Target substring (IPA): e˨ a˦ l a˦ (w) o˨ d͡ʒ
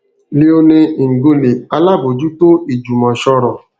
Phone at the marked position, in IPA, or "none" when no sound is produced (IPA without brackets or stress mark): b